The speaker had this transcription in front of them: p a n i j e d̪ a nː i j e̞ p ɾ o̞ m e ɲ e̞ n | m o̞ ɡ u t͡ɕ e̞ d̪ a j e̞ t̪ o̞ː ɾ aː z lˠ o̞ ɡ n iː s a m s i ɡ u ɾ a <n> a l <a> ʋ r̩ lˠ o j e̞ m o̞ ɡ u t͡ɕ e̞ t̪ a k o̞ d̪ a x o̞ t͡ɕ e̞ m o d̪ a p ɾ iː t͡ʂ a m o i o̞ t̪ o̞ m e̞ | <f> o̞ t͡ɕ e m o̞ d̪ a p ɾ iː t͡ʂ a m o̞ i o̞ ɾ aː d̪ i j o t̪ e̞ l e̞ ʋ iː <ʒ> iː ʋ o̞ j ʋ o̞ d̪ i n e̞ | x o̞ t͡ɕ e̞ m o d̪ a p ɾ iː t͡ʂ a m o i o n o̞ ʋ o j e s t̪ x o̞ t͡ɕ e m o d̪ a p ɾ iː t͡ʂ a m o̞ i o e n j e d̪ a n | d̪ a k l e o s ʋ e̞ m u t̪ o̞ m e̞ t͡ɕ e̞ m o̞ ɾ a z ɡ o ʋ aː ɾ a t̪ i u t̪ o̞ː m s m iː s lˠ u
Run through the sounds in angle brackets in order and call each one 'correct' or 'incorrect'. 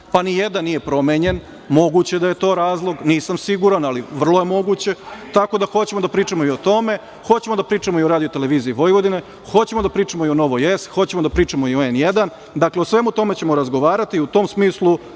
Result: correct, incorrect: i, incorrect: x, incorrect: z

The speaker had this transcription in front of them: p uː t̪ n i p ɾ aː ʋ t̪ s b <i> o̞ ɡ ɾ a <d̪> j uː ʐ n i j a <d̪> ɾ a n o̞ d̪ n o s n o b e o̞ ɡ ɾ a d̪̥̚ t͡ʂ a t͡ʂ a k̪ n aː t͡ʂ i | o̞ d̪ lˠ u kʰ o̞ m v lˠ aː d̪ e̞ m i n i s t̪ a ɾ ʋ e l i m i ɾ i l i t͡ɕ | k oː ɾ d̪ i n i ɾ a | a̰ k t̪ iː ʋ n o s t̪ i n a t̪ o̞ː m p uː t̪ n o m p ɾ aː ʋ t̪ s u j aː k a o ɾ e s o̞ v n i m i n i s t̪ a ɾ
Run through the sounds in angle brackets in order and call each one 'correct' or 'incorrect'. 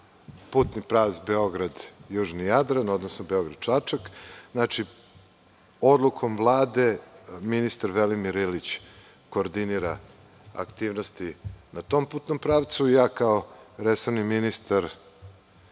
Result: incorrect: e, correct, correct

